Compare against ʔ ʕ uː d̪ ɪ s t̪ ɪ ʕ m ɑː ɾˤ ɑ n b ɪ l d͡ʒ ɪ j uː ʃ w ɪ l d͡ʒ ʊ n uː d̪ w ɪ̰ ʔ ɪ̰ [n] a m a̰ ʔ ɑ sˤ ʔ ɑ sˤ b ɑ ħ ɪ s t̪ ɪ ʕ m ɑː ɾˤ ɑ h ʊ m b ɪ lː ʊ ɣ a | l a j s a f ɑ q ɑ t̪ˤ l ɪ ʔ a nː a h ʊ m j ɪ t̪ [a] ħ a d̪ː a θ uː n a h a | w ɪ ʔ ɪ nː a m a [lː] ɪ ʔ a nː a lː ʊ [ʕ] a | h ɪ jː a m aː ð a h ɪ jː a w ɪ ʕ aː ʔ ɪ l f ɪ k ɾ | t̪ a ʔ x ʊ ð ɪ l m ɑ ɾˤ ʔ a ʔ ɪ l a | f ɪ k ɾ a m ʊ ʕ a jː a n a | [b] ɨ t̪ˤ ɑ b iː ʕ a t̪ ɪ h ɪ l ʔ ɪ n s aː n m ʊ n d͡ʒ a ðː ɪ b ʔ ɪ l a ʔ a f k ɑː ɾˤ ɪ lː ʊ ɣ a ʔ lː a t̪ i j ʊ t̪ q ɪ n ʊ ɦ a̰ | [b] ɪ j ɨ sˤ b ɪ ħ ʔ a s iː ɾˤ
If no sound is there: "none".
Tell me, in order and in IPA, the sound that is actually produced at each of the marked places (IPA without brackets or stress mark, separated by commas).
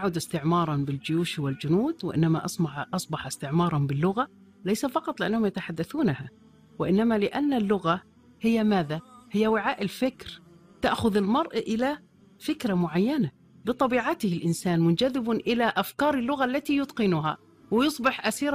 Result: nː, a, l, ɣ, b, w